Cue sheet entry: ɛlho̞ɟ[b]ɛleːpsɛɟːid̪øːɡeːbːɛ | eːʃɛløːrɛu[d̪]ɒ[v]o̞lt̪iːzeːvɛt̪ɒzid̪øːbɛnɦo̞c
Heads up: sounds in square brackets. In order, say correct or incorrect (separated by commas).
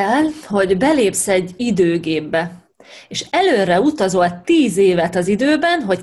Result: correct, incorrect, incorrect